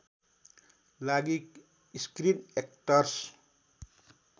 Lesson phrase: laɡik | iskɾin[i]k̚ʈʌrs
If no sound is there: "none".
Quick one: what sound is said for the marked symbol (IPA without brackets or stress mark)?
e